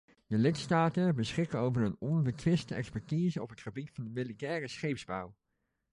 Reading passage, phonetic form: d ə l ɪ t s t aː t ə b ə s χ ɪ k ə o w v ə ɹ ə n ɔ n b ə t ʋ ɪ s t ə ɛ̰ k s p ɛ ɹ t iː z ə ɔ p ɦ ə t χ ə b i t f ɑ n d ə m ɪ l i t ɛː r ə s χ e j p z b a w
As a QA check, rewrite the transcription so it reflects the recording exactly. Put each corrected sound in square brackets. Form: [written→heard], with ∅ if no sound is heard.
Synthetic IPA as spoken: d ə l ɪ t s t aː t ə b ə s χ ɪ k ə o w v ə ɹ ə n ɔ n b ə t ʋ ɪ s t ə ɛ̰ k s p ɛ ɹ t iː z ə ɔ p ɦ ə t χ ə b i t f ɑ n d ə m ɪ l i t ɛː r ə s χ e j p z b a w